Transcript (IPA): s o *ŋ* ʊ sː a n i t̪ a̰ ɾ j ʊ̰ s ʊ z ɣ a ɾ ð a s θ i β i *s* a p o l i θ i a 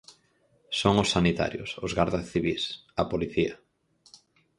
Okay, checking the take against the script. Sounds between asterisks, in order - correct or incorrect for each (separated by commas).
correct, correct